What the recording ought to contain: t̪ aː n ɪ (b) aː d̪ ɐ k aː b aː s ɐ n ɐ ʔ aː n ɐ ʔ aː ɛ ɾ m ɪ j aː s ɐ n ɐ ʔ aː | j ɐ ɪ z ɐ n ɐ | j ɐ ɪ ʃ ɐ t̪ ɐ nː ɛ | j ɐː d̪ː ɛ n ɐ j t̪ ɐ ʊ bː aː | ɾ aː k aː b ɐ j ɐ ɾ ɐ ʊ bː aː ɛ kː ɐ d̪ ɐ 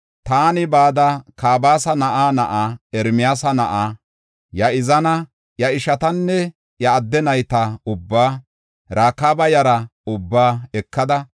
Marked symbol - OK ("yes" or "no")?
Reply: yes